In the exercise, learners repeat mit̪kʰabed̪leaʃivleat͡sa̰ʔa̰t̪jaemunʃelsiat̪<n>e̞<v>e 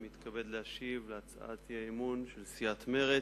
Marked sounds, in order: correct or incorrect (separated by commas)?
incorrect, incorrect